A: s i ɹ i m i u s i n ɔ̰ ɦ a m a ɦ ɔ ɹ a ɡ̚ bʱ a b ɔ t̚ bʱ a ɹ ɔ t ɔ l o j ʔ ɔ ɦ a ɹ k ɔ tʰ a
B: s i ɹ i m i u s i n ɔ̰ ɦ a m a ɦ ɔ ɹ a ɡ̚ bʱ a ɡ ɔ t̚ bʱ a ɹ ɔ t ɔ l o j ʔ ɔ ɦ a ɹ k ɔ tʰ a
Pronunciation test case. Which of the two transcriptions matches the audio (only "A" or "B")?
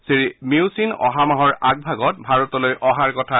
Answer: B